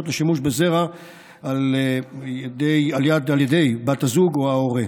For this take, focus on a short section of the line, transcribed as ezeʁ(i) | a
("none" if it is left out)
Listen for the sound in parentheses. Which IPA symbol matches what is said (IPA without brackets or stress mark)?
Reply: a